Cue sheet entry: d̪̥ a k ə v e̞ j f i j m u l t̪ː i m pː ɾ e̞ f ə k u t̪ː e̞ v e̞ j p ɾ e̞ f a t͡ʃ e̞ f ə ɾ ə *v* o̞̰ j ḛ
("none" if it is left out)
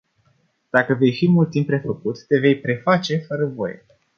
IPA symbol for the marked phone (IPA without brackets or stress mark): v